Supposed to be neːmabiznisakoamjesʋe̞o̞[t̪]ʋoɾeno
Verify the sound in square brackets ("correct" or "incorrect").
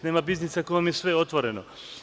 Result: correct